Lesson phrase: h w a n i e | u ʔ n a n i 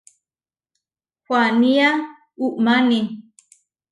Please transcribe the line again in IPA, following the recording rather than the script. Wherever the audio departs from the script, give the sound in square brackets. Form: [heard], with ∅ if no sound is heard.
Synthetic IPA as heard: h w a n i [a] | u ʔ [m] a n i